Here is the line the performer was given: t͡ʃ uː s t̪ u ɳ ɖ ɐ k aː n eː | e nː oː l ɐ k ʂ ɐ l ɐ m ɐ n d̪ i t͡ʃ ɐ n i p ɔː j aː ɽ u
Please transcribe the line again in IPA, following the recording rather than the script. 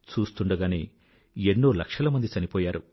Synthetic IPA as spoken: t͡ʃ uː s t̪ u ɳ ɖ ɐ ɡ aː n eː | e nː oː l ɐ k ʂ ɐ l ɐ m ɐ n d̪ i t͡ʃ ɐ n i p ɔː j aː ɾ u